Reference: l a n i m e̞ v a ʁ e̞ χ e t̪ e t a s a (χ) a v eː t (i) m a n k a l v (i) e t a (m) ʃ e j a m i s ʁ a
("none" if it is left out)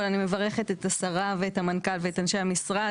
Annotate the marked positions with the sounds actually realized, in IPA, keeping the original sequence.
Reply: ʁ, a, e, n

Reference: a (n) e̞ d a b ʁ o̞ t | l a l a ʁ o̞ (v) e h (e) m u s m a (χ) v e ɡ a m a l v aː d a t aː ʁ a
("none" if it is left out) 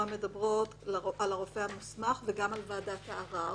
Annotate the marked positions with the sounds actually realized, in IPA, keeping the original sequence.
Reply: m, f, a, χ

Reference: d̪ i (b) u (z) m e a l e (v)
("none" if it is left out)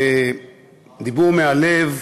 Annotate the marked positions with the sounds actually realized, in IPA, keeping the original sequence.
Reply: b, ʁ, v

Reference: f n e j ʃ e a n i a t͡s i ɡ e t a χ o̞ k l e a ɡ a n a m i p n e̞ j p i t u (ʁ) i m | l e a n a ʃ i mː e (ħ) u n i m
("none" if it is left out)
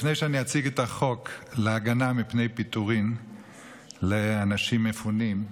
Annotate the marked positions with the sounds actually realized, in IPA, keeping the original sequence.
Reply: ʁ, f

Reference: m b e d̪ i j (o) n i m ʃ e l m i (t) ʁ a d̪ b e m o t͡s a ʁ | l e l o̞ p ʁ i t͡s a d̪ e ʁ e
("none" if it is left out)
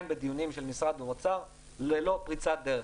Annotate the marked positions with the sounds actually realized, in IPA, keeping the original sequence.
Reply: u, s

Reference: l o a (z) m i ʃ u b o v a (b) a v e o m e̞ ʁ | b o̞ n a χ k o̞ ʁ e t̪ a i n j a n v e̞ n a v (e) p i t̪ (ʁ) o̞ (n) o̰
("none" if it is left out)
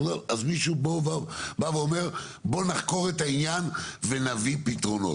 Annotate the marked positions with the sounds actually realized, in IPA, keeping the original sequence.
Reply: z, b, i, ʁ, n

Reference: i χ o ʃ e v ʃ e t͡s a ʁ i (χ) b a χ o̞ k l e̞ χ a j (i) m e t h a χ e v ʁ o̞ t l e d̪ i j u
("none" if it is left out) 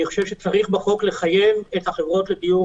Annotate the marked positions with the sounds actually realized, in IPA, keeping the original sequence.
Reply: χ, e

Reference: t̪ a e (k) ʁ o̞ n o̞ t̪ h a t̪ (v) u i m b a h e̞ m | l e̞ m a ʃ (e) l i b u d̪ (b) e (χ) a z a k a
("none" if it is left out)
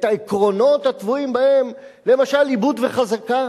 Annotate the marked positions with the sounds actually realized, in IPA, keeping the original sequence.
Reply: k, v, a, v, χ

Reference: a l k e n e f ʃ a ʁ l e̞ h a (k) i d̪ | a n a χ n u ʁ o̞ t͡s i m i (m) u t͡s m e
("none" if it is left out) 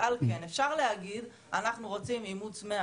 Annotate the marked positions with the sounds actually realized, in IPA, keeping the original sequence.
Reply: ɡ, m

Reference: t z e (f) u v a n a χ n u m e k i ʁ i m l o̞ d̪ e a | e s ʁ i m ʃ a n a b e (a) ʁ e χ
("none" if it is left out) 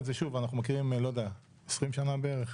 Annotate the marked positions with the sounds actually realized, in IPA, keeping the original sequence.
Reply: ʃ, e

